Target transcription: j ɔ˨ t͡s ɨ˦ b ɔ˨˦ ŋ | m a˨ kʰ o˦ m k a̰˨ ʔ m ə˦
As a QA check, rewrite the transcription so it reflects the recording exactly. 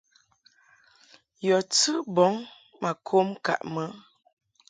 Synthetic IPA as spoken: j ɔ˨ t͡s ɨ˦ b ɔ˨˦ ŋ | m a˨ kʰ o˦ m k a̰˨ ʔ m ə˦